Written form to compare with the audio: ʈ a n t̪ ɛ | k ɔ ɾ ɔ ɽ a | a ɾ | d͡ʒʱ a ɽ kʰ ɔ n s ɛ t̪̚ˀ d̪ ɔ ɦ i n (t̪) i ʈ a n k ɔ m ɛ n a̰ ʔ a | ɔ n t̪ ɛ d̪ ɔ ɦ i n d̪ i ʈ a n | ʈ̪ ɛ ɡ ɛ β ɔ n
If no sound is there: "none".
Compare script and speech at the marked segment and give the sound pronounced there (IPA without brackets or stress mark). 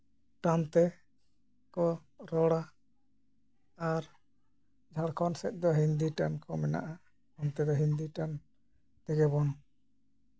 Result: d̪